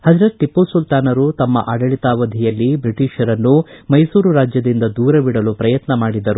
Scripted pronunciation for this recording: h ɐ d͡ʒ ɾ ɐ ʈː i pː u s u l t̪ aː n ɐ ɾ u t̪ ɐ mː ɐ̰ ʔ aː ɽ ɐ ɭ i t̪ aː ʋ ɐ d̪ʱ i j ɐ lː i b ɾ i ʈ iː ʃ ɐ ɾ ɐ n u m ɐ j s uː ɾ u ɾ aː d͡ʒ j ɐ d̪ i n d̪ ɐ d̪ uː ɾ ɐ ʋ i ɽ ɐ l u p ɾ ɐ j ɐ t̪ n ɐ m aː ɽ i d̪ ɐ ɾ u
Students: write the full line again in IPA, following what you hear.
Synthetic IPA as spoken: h ɐ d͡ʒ ɾ ɐ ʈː i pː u s u l t̪ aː n ɐ ɾ u t̪ ɐ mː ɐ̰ ʔ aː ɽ ɐ ɭ i t̪ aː ʋ ɐ d̪ʱ i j ɐ lː i b ɾ i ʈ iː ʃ ɐ ɾ ɐ nː u m ɐ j s uː ɾ u ɾ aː d͡ʒ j ɐ d̪ i n d̪ ɐ d̪ uː ɾ ɐ ʋ i ɽ ɐ l u p ɾ ɐ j ɐ t̪ n ɐ m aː ɽ i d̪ ɐ ɾ u